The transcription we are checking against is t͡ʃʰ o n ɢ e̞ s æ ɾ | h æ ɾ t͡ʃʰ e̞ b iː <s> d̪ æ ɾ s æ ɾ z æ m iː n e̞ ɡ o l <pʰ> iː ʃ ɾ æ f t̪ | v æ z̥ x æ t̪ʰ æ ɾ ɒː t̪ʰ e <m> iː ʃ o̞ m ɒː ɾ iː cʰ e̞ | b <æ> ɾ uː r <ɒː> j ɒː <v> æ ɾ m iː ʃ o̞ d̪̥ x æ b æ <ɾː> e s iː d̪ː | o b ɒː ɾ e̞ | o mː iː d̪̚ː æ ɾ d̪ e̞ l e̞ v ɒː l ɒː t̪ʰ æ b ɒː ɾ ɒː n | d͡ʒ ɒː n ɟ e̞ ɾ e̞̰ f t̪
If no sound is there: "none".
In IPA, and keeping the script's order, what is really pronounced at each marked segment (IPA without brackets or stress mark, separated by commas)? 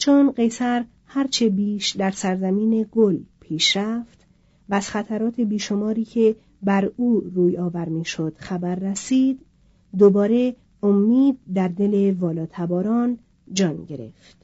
ʃ, pʰ, b, æ, uː, v, ɾː